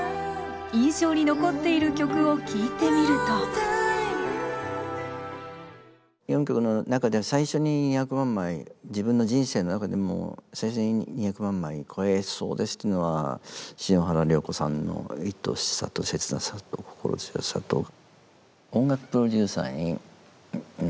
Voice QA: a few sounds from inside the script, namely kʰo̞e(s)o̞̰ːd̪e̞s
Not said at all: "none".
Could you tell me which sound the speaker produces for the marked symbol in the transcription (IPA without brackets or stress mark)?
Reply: s